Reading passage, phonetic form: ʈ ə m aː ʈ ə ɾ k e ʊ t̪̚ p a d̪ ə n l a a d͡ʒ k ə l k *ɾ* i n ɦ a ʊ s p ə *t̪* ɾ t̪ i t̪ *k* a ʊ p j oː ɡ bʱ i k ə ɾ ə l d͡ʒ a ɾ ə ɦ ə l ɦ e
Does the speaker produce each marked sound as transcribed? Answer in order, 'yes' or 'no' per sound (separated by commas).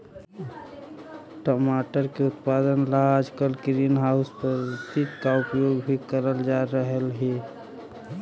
yes, no, yes